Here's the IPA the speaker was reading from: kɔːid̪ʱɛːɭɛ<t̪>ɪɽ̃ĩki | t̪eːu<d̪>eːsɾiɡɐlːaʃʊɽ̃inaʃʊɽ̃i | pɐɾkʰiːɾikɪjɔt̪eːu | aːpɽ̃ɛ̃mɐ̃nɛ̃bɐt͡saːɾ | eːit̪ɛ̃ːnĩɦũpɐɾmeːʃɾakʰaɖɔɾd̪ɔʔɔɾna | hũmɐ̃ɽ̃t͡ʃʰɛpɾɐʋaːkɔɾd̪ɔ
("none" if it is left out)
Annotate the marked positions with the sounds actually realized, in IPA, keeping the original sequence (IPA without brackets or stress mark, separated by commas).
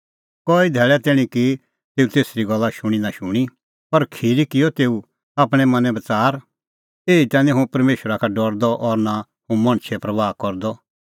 t̪, t̪